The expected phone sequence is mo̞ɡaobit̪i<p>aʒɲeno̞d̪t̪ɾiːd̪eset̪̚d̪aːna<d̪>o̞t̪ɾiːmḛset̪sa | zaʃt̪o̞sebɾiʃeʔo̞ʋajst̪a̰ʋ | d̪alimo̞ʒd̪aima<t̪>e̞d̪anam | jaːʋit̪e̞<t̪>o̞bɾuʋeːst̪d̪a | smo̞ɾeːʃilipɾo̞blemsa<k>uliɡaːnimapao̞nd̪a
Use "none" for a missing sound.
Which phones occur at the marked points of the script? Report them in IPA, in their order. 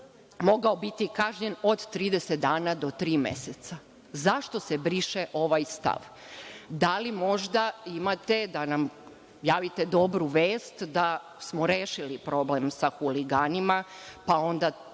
k, d̪, t̪, d̪, x

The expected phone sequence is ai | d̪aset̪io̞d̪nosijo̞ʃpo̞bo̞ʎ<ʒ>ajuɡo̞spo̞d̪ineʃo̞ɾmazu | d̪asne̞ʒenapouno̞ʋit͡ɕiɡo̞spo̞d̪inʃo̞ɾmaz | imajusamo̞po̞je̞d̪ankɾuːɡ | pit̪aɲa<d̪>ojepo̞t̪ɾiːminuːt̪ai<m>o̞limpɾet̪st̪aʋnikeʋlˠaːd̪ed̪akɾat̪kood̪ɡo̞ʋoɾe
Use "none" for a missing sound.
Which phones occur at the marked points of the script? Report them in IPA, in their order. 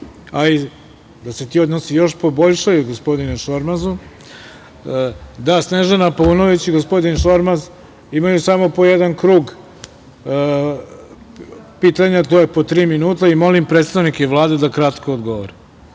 ʃ, t̪, m

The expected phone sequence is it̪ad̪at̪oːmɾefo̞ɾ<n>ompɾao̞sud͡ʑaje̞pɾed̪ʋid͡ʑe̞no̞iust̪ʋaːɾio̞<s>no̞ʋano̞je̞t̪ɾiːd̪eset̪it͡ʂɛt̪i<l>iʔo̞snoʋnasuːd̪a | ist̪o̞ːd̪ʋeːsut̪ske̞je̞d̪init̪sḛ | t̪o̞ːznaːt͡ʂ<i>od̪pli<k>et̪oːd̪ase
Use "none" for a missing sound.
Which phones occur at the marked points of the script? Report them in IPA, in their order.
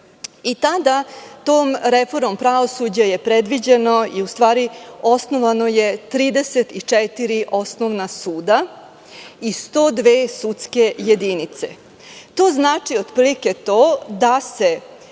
m, s, ɾ, i, k

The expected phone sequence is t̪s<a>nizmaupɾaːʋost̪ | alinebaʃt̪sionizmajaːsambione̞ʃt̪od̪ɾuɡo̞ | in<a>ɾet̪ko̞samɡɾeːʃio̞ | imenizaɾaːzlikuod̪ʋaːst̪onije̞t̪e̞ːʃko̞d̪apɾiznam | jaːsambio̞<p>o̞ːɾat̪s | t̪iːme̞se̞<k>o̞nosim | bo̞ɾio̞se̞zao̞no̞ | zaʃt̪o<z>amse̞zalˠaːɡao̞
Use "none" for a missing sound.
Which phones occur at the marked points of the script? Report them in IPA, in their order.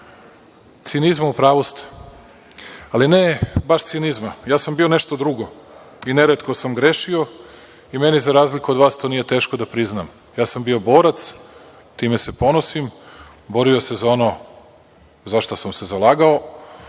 i, e, b, p, s

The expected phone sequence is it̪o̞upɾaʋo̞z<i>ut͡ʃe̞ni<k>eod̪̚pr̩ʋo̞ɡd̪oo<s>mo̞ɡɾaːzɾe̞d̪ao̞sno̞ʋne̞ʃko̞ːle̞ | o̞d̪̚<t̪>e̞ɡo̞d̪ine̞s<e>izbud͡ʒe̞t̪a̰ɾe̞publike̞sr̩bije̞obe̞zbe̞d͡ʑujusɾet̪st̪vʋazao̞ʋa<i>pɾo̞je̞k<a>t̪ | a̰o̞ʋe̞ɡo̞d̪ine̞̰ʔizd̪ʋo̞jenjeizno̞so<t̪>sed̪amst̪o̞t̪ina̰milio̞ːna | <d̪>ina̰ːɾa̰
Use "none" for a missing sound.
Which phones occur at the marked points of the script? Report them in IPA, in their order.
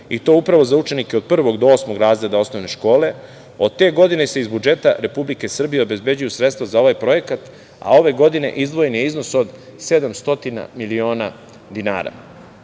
a, k, s, t̪, e, j, a, d̪, d̪

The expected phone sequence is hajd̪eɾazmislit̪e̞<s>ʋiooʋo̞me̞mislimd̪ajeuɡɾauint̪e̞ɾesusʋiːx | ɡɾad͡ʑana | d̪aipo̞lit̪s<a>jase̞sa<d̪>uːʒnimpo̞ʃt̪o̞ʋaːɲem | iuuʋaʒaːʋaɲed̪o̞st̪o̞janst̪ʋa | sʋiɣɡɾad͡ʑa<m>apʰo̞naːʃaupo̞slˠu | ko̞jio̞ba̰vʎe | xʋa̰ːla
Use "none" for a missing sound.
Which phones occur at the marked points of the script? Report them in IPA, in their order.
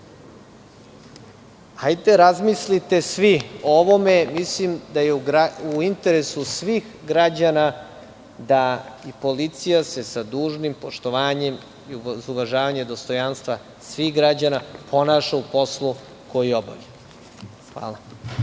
s, i, d̪, n

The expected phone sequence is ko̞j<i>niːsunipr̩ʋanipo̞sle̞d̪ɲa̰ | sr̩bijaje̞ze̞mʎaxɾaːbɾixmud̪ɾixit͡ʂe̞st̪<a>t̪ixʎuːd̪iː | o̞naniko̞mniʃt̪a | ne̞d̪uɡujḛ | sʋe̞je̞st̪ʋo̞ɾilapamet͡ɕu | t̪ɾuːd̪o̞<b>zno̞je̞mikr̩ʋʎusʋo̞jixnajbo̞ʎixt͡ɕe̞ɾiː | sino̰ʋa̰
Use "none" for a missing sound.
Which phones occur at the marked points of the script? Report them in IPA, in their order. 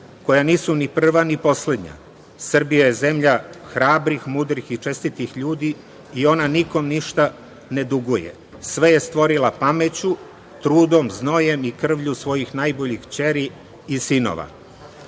a, i, m

